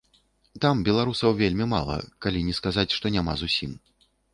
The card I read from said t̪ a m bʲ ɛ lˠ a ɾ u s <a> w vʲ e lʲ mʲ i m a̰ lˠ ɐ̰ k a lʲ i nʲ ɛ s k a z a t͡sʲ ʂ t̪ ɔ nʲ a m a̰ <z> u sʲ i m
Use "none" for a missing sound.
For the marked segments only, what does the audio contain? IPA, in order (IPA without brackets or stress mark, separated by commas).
ɐ, z